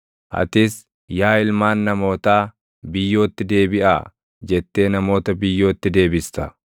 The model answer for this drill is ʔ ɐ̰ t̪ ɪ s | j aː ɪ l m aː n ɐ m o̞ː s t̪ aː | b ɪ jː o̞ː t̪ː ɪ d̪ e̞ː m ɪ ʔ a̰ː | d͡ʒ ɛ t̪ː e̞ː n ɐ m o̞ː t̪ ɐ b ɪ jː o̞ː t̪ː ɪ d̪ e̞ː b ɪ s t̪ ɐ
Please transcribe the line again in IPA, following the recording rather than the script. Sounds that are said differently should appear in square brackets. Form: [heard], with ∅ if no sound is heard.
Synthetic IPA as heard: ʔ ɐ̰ t̪ ɪ s | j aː ɪ l m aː [nː] ɐ m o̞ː [∅] t̪ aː | b ɪ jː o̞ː t̪ː ɪ d̪ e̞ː [b] ɪ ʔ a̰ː | d͡ʒ ɛ t̪ː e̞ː n ɐ m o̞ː t̪ ɐ b ɪ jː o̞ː t̪ː ɪ d̪ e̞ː b ɪ s t̪ ɐ